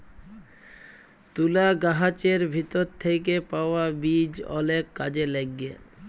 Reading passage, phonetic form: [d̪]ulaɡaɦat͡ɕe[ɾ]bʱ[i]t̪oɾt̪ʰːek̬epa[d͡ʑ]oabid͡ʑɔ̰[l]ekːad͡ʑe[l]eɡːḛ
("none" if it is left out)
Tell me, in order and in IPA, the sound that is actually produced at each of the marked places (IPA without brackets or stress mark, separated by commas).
t̪, ɾ, i, none, l, l